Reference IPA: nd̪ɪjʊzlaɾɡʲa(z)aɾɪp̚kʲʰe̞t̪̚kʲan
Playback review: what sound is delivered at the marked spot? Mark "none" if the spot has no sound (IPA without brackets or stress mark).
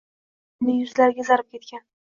z